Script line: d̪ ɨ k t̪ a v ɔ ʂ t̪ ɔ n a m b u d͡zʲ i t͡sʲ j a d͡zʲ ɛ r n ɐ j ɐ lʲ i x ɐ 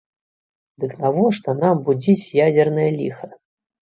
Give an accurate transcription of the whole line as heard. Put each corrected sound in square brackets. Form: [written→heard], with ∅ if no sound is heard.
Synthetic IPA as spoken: d̪ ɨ k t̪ a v ɔ ʂ t̪ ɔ n a m b u d͡zʲ i t͡sʲ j a d͡zʲ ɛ r n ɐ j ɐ lʲ i x ɐ